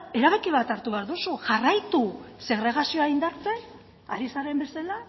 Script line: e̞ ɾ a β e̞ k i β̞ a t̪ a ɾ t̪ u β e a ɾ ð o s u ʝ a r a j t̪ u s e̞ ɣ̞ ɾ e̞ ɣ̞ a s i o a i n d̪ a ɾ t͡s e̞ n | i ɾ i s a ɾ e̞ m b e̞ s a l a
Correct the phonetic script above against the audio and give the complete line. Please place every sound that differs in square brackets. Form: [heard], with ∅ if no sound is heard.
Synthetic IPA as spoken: e̞ ɾ a β e̞ k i β̞ a t̪ a ɾ t̪ u β e a ɾ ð [u] s u ʝ a r a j t̪ u s e̞ ɣ̞ ɾ e̞ ɣ̞ a s i o a i n d̪ a ɾ t͡s e̞ n | [a] ɾ i s a ɾ e̞ m b e̞ s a l a

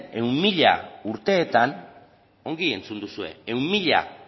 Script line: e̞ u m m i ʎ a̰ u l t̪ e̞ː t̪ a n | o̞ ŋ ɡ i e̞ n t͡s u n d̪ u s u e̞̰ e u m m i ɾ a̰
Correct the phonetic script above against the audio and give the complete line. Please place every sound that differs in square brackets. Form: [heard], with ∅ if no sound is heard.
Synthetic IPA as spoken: e̞ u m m i ʎ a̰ u [ɾ] t̪ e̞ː t̪ a n | o̞ ŋ ɡ i e̞ n t͡s u n d̪ u s u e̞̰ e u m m i [ʎ] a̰

